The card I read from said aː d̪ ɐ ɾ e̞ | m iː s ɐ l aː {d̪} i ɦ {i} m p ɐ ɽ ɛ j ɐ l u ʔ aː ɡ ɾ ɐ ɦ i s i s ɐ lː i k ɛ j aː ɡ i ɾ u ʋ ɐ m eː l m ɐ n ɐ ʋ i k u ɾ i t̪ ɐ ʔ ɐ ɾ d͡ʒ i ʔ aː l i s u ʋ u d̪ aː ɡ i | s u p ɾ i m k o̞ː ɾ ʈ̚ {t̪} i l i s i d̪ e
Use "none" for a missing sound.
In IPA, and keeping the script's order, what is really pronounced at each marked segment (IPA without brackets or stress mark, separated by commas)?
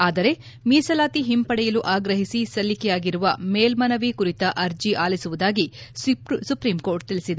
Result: t̪, i, t̪